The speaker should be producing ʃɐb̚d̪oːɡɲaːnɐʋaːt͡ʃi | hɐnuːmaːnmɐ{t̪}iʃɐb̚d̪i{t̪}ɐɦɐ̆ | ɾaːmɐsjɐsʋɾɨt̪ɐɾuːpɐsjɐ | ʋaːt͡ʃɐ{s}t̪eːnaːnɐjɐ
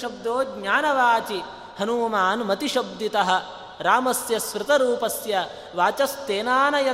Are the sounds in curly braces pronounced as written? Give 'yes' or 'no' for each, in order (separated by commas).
yes, yes, yes